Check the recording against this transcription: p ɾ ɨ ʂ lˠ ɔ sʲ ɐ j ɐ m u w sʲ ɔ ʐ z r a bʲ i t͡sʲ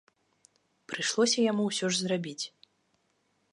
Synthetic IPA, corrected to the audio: p ɾ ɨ ʂ lˠ ɔ sʲ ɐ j a m u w sʲ ɔ ʐ z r a bʲ i t͡sʲ